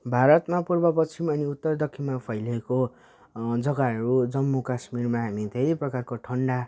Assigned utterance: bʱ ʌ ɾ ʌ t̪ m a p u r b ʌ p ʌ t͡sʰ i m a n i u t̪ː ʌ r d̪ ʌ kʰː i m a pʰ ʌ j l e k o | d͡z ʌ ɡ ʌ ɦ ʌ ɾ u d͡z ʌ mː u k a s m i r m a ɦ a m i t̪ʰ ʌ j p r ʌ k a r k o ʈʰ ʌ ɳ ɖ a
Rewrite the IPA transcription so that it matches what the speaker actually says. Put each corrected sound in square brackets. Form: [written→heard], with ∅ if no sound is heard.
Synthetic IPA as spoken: bʱ [ʌ→a] ɾ ʌ t̪ m a p u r b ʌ p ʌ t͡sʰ i m [a→ʌ] n i u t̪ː ʌ r d̪ ʌ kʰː i m a pʰ ʌ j l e k o | d͡z ʌ ɡ [ʌ→a] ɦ ʌ ɾ u d͡z ʌ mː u k a s m i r m a ɦ a m i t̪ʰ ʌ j p r ʌ k a r k o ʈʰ ʌ ɳ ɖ a